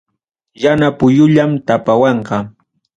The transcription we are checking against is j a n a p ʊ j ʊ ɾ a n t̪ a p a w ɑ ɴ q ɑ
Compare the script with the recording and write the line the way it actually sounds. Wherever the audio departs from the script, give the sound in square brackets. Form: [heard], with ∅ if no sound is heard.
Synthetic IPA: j a n a p ʊ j ʊ [ʎ] a [m] t̪ a p a w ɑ ɴ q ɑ